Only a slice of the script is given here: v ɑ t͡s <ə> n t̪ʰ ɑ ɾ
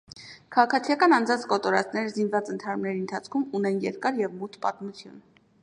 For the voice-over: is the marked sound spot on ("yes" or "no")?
yes